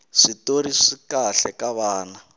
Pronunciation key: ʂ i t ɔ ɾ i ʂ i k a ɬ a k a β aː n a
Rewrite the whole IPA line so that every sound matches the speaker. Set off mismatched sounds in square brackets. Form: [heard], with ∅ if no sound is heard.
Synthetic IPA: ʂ i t [o] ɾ i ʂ i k a ɬ [ɛ] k a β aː n a